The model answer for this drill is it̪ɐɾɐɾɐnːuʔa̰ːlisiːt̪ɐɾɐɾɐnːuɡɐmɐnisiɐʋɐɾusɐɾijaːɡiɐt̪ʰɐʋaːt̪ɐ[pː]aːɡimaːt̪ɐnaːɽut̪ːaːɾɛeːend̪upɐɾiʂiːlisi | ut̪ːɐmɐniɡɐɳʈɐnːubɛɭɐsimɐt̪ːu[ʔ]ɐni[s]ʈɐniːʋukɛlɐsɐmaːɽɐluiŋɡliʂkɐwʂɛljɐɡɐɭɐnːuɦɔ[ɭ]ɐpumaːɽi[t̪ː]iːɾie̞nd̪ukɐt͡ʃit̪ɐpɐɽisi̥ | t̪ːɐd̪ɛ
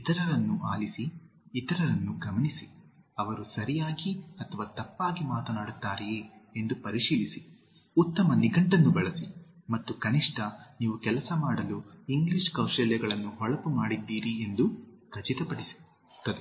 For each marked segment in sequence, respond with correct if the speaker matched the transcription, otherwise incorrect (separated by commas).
correct, incorrect, incorrect, correct, incorrect